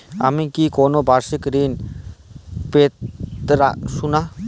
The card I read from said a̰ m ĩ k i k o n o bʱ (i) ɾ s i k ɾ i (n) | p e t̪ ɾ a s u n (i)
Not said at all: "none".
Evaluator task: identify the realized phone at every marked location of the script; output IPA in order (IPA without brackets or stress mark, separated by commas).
a, n, a